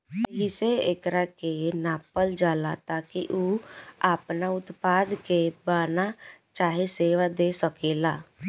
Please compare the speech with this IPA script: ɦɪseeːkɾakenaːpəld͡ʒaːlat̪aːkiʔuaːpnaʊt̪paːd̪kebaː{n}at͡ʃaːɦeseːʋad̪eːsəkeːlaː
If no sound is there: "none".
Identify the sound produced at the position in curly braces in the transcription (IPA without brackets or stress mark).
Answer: n